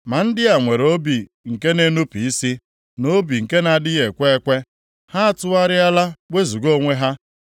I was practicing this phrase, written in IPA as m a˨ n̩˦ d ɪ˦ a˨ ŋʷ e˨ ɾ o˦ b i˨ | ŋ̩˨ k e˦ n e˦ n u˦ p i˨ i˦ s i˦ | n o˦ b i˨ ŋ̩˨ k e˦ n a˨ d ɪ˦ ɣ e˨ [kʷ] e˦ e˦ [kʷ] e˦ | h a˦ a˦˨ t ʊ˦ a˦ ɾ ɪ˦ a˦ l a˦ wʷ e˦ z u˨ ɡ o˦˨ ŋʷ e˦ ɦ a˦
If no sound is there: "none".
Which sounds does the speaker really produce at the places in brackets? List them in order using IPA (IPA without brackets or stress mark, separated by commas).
kʷ, kʷ